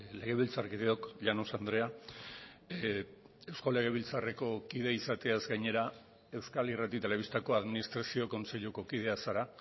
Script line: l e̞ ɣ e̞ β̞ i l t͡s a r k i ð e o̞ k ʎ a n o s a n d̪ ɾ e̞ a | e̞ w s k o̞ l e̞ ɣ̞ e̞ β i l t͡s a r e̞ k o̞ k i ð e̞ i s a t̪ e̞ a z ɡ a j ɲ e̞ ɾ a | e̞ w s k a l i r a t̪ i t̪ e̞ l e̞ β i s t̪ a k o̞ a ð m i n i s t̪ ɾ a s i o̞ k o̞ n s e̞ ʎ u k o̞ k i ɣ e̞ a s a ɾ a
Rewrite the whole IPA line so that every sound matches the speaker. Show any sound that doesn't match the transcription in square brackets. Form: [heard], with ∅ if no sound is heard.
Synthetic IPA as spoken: l e̞ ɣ e̞ β̞ i l t͡s a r k i ð e o̞ k ʎ a n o s a n d̪ ɾ e̞ a | e̞ w s k o̞ l e̞ ɣ̞ e̞ β i l t͡s a r e̞ k o̞ k i ð e̞ i s a t̪ e̞ a z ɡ a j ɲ e̞ ɾ a | e̞ w s k a l i r a t̪ i t̪ e̞ l e̞ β i s t̪ a k o̞ a ð m i n i s t̪ ɾ a s i o̞ k o̞ n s e̞ ʎ u k o̞ k i [ð] e̞ a s a ɾ a

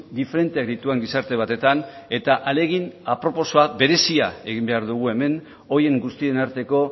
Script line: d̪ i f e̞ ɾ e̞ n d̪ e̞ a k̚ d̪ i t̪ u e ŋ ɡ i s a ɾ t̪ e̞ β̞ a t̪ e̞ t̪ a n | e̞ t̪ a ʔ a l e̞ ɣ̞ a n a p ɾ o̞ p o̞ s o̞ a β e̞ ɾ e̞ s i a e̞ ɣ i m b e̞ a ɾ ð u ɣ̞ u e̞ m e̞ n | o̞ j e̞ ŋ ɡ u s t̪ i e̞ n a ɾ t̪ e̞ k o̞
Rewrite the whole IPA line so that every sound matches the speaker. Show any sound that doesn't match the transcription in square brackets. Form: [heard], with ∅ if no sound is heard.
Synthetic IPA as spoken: d̪ i f e̞ ɾ e̞ n [t̪] e̞ a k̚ d̪ i t̪ u e ŋ ɡ i s a ɾ t̪ e̞ β̞ a t̪ e̞ t̪ a n | e̞ t̪ a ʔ a l e̞ ɣ̞ [i] n a p ɾ o̞ p o̞ s o̞ a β e̞ ɾ e̞ s i a e̞ ɣ i m b e̞ a ɾ ð u ɣ̞ u e̞ m e̞ n | o̞ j e̞ ŋ ɡ u s t̪ i e̞ n a ɾ t̪ e̞ k o̞

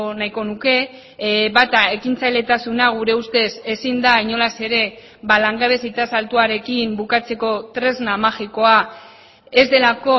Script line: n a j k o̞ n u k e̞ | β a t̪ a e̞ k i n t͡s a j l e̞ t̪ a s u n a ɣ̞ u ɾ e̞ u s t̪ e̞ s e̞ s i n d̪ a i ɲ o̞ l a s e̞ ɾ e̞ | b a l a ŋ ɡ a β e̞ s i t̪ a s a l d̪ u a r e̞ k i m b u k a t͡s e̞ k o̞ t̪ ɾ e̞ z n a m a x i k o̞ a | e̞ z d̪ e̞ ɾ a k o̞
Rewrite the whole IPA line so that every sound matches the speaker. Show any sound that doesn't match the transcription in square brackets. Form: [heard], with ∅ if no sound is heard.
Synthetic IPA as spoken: n a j k o̞ n u k e̞ | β a t̪ a e̞ k i n t͡s a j l e̞ t̪ a s u n a ɣ̞ u ɾ e̞ u s t̪ e̞ s e̞ s i n d̪ a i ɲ o̞ l a s e̞ ɾ e̞ | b a l a ŋ ɡ a β e̞ s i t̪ a s a l [t̪] u a [ɾ] e̞ k i m b u k a t͡s e̞ k o̞ t̪ ɾ e̞ z n a m a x i k o̞ a | e̞ z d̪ e̞ [l] a k o̞

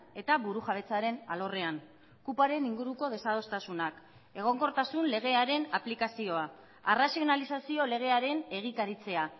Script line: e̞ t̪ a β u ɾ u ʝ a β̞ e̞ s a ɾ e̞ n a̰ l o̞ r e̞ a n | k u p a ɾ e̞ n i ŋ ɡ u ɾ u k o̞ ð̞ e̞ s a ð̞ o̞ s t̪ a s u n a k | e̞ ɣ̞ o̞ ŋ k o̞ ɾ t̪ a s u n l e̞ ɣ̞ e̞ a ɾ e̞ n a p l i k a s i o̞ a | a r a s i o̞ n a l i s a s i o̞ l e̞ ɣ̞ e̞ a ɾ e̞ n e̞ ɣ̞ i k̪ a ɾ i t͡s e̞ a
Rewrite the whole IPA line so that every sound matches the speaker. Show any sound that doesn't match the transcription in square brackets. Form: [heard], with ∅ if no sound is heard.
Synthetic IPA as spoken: e̞ t̪ a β u ɾ u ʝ a β̞ e̞ [t͡s] a ɾ e̞ n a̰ l o̞ r e̞ a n | k u p a ɾ e̞ n i ŋ ɡ u ɾ u k o̞ ð̞ e̞ s a ð̞ o̞ s t̪ a s u n a k | e̞ ɣ̞ o̞ ŋ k o̞ ɾ t̪ a s u n l e̞ ɣ̞ e̞ a ɾ e̞ n a p l i k a s i o̞ a | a r a s i o̞ n a l i s a s i o̞ l e̞ ɣ̞ e̞ a ɾ e̞ n e̞ ɣ̞ i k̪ a ɾ i t͡s e̞ a

